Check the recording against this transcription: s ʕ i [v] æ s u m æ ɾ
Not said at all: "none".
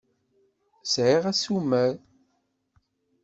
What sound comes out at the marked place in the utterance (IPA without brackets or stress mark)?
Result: ʁ